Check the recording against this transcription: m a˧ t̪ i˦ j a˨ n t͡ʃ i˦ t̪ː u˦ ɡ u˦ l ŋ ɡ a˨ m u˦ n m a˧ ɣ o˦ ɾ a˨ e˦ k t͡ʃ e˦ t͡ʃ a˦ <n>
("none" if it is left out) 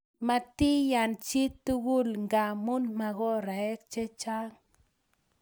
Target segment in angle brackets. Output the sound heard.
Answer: ŋ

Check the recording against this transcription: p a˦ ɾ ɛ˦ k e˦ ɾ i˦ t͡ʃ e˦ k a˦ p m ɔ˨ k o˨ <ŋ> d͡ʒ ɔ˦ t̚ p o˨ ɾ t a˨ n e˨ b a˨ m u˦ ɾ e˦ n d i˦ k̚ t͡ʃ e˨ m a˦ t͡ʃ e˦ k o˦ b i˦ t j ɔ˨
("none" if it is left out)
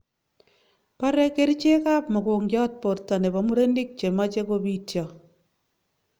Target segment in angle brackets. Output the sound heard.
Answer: ŋ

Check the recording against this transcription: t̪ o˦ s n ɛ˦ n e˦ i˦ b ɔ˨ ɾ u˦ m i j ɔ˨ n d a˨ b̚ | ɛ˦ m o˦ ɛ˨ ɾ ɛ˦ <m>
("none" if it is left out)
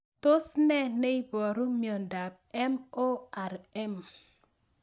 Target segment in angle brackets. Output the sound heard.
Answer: m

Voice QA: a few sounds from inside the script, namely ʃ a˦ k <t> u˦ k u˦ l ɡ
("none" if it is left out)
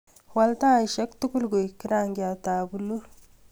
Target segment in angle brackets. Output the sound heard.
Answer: t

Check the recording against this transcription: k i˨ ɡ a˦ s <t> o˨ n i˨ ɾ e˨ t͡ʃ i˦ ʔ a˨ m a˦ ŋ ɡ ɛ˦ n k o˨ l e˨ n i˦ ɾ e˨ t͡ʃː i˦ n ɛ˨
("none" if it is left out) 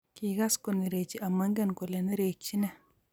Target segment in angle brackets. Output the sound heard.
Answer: k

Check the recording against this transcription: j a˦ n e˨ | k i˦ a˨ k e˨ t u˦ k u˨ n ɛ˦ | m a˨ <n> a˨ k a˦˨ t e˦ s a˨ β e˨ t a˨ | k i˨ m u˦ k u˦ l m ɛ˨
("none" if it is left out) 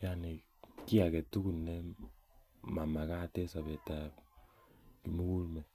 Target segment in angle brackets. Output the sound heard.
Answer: m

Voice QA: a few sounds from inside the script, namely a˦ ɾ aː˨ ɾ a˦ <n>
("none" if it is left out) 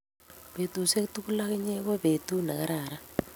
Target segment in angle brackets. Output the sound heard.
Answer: none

